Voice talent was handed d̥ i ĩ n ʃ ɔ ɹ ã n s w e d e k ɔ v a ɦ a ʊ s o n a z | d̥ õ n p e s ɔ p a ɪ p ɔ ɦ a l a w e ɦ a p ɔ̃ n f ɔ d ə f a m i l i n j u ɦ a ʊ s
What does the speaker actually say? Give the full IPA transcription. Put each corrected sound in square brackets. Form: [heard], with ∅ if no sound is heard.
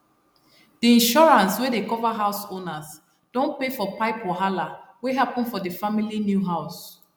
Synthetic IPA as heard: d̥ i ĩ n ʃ ɔ ɹ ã n s w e d e k ɔ v a ɦ a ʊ s o n a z | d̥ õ n p e [f] ɔ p a ɪ p ɔ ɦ a l a w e ɦ a p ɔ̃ n f ɔ d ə f a m i l i n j u ɦ a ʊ s